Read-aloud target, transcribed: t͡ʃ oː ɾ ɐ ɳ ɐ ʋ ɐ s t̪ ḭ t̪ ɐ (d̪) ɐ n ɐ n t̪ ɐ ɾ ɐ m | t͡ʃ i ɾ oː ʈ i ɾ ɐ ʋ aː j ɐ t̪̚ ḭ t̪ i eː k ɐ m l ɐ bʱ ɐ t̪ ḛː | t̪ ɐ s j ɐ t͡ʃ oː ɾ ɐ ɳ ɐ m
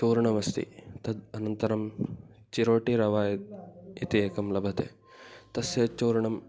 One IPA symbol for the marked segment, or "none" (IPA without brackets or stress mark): d̪